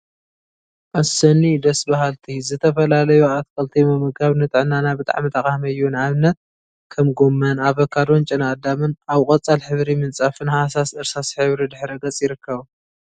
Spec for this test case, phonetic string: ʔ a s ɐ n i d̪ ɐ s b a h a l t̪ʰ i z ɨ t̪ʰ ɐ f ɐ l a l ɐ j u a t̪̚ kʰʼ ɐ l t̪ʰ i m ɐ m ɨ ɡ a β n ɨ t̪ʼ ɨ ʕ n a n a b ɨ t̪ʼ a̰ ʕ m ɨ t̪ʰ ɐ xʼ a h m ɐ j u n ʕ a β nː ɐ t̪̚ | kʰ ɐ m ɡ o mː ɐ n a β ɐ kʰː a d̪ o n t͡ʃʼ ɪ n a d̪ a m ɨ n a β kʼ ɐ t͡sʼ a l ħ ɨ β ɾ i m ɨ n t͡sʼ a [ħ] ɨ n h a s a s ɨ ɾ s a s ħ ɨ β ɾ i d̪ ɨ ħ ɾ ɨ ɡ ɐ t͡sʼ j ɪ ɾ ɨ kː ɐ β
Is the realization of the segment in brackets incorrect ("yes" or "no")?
yes